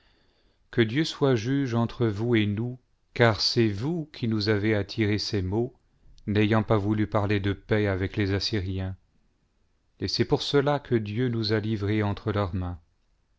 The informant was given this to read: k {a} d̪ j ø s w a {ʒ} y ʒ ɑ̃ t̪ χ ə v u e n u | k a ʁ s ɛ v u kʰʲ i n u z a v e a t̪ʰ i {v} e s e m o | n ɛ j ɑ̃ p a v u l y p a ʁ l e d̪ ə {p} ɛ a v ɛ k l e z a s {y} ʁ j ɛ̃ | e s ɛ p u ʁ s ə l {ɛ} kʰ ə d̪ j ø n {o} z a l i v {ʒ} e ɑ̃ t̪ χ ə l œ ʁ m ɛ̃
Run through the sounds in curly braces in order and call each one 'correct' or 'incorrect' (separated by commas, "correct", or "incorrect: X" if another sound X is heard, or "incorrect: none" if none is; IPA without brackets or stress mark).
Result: incorrect: ə, correct, incorrect: ʁ, correct, incorrect: i, incorrect: a, incorrect: u, incorrect: ʁ